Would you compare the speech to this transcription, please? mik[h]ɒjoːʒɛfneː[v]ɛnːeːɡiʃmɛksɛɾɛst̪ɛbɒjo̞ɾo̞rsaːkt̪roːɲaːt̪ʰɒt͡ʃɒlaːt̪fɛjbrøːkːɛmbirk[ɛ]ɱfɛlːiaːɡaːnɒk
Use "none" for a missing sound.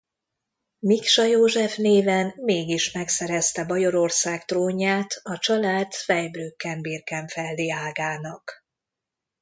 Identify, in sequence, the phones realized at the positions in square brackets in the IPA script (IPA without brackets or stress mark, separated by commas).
ʃ, v, ɛ